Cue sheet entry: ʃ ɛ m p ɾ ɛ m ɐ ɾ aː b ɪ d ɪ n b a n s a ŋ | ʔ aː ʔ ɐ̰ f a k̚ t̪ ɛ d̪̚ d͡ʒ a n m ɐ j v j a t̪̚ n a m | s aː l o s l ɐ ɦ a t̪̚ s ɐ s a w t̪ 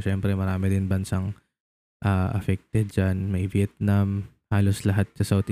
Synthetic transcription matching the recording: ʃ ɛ m p ɾ ɛ m ɐ ɾ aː m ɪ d ɪ n b ɐ n s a ŋ | ʔ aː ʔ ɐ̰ f ɛ k̚ t̪ ɛ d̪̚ d͡ʒ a n m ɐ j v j ɛ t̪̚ n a m | h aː l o s l ɐ ɦ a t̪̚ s ɐ s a w t̪